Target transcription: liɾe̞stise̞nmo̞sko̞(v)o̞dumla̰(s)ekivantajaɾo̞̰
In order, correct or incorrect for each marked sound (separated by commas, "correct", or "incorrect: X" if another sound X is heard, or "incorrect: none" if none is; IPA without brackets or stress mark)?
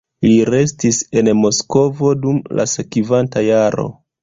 correct, correct